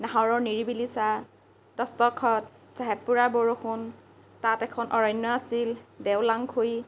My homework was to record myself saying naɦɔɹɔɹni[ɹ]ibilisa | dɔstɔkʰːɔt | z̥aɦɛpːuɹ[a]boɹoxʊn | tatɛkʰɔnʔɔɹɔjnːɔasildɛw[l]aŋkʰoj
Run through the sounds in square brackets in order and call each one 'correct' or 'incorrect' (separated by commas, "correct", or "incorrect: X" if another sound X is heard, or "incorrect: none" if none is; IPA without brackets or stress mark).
correct, correct, correct